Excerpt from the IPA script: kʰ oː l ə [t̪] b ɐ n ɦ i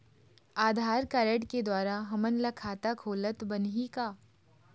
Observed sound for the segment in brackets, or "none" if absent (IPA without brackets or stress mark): t̪